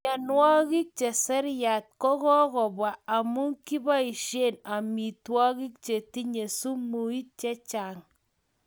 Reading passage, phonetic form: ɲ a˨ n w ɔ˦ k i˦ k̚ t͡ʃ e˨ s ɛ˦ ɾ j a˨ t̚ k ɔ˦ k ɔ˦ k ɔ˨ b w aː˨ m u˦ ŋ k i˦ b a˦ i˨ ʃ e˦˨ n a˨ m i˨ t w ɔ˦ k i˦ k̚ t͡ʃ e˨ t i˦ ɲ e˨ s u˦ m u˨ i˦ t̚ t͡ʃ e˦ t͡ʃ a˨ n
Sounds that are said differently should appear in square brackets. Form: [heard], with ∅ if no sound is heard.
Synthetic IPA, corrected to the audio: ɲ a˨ n w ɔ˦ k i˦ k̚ t͡ʃ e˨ s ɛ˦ ɾ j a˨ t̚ k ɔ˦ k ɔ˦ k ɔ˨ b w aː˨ m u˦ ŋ k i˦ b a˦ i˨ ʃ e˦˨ n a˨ m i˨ t w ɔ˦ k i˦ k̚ t͡ʃ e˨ t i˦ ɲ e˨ s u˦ m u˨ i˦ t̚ t͡ʃ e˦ t͡ʃ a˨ [ŋ]

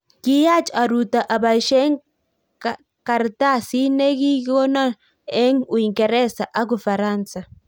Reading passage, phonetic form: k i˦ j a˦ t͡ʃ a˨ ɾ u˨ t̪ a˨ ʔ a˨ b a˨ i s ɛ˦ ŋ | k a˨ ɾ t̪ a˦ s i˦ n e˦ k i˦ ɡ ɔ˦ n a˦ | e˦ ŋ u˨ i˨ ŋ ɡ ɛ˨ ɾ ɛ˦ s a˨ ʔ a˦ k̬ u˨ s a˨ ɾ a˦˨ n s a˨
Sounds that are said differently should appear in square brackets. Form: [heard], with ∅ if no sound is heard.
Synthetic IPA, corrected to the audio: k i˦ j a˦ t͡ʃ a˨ ɾ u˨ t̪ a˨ ʔ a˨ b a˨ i [ʃ] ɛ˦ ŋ | k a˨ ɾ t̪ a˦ s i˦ n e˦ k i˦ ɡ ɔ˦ n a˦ | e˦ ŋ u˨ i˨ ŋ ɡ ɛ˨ ɾ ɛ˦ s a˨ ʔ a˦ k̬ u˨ [f] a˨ ɾ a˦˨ n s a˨

